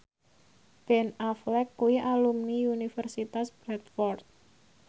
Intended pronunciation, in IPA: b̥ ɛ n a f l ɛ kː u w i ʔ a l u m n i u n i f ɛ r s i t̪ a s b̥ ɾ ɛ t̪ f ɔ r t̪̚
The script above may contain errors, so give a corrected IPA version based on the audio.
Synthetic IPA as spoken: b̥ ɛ n a f l ɛ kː u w i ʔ a l u m n i u n i f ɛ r s i t̪ a s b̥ ɾ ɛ t̪ f ɔ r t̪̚